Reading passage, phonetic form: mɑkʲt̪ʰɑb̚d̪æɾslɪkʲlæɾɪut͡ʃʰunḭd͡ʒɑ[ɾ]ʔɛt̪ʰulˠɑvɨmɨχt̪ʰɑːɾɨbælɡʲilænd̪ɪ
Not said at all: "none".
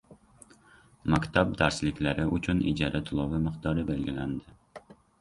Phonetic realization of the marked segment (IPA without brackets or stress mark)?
ɾ